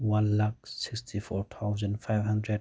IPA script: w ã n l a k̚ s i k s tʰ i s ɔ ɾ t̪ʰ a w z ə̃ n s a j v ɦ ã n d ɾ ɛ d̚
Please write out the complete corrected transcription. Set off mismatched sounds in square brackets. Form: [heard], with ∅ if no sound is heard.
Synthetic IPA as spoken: w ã n l a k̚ s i k s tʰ i [f] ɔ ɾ t̪ʰ a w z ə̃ n [f] a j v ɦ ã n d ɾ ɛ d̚

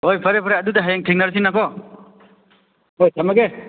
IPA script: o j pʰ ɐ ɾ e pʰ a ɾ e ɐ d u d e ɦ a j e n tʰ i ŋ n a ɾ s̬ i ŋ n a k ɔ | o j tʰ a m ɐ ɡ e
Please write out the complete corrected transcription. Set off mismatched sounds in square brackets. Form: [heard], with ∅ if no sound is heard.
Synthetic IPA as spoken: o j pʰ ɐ ɾ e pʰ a ɾ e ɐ d u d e ɦ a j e [ŋ] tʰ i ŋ n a ɾ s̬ i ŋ n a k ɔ | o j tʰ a m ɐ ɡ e

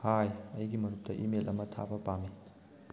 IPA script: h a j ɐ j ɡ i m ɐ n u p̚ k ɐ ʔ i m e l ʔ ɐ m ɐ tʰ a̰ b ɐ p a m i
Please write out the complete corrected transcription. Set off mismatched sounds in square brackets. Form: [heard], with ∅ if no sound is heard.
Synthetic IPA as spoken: h a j ɐ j ɡ i m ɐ n u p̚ [t] ɐ ʔ i m e l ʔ ɐ m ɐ tʰ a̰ b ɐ p a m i

